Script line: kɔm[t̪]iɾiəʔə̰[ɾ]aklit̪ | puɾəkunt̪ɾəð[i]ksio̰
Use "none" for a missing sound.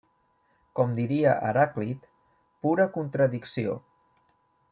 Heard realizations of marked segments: d̪, ɾ, i

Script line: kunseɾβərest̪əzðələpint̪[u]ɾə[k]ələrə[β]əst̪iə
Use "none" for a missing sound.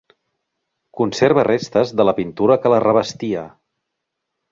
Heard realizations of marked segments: u, k, β

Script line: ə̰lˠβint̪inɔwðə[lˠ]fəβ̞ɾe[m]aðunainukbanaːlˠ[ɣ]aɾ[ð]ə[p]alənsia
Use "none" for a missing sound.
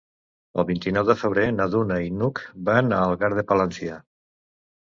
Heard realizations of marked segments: none, n, ɣ, ð, p

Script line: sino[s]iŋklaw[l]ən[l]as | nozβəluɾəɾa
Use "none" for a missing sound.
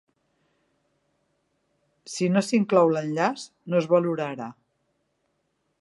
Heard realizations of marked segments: s, l, ʎ

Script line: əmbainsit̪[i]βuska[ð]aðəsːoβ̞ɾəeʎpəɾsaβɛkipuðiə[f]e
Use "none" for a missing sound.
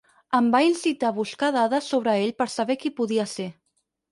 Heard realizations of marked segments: a, ð, s

